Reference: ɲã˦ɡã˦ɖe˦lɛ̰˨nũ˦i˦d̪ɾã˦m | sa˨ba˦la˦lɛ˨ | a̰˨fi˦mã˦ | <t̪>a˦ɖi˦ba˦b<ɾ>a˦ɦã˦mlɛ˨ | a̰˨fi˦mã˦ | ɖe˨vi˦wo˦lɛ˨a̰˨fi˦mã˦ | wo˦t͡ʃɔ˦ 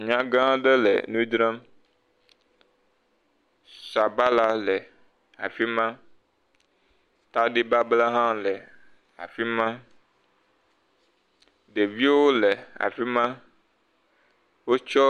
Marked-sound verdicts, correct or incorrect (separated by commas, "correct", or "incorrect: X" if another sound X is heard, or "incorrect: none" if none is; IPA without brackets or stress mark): correct, incorrect: l